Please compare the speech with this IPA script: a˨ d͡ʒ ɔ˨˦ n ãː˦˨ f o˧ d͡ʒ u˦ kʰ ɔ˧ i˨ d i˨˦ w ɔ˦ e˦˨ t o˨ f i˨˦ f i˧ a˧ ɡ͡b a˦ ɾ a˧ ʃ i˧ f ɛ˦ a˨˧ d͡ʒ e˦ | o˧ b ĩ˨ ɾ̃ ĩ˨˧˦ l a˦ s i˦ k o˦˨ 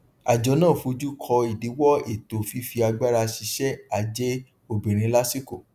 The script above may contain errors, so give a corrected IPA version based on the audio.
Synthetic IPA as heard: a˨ d͡ʒ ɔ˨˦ n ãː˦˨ f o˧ d͡ʒ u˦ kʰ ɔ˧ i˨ d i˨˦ w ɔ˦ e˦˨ t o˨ f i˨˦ f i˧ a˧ ɡ͡b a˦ ɾ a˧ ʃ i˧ ʃ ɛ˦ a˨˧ d͡ʒ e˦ | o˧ b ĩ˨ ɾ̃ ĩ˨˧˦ l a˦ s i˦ k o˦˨